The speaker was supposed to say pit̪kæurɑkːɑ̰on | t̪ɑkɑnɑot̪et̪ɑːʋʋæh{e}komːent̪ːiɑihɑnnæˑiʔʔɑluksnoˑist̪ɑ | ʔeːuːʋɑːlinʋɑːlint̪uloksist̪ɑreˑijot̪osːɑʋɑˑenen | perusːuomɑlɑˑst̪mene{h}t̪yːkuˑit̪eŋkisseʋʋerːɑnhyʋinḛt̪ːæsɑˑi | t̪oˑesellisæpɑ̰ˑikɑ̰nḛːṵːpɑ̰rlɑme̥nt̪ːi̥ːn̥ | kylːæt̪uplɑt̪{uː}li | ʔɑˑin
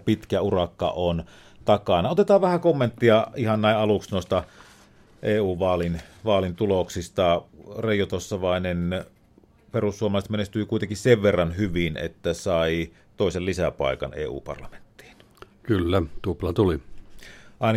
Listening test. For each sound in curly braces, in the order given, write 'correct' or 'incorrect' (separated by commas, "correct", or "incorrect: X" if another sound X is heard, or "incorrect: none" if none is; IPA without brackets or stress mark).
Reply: incorrect: æ, incorrect: s, incorrect: u